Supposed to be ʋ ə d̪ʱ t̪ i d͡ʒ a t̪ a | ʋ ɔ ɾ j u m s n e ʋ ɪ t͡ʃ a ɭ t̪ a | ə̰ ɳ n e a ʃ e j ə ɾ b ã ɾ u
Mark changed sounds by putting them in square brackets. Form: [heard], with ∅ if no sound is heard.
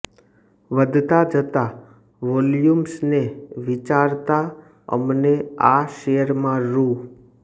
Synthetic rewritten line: ʋ ə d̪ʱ t̪ [a] d͡ʒ [ə] t̪ a | ʋ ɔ [l] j u m s n e ʋ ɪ t͡ʃ a [ɾ] t̪ a | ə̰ [m] n e a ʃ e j ə ɾ [m] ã ɾ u